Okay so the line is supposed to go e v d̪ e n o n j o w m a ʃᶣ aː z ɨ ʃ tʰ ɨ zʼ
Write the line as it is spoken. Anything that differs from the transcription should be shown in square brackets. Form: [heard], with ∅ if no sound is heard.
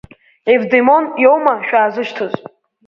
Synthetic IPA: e v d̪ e [m] o n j o w m a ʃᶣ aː z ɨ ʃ tʰ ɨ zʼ